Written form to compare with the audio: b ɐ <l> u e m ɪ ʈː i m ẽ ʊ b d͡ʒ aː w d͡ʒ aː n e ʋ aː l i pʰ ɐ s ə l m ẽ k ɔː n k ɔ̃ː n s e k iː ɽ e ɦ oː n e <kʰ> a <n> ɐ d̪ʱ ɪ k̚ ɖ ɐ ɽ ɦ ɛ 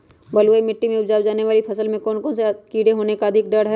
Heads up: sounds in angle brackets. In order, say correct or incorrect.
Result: correct, incorrect: k, incorrect: none

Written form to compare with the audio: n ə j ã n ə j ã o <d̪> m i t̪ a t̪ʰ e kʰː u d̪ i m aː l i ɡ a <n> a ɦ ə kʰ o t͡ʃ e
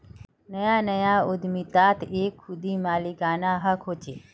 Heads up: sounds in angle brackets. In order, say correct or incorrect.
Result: correct, correct

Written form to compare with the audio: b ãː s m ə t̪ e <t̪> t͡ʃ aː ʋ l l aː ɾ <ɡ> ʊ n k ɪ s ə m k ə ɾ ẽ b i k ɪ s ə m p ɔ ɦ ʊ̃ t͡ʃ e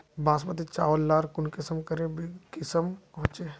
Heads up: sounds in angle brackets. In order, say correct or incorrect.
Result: incorrect: none, incorrect: k

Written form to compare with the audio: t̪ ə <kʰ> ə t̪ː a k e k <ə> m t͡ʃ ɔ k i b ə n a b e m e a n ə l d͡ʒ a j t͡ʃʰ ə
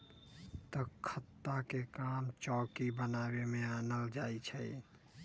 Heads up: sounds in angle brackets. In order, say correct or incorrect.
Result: correct, incorrect: a

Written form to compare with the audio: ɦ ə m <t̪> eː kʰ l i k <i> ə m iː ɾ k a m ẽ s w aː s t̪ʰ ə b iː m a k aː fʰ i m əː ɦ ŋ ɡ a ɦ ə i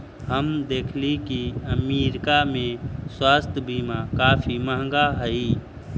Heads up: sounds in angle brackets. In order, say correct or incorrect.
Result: incorrect: d̪, correct

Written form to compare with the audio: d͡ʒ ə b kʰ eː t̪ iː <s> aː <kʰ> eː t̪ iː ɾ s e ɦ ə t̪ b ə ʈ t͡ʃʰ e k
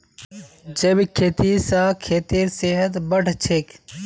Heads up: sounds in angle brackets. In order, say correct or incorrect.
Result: correct, correct

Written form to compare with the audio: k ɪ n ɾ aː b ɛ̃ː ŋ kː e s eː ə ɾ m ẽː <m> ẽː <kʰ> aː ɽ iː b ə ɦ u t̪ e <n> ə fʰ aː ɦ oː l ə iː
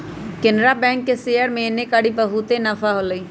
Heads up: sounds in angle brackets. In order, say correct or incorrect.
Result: incorrect: n, incorrect: k, correct

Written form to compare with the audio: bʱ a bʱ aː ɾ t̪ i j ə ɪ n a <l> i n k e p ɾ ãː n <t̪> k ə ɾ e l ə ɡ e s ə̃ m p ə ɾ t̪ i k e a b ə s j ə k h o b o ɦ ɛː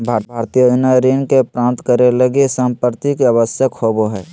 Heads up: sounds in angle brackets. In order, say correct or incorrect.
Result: incorrect: ɾ, correct

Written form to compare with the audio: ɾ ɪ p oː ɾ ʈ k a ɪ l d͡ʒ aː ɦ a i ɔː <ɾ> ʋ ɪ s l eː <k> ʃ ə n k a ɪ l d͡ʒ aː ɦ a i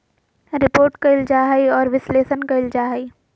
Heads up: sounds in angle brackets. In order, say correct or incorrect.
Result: correct, incorrect: none

